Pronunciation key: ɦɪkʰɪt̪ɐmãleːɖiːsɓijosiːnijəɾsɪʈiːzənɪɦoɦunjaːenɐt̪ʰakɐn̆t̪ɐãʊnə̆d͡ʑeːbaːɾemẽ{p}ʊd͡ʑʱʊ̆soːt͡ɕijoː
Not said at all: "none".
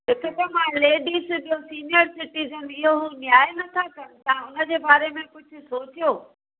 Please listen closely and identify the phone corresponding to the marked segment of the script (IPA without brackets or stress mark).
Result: k